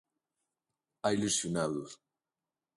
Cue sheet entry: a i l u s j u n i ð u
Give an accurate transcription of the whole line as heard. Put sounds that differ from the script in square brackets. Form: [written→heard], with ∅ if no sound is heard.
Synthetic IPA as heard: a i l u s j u n [i→a] ð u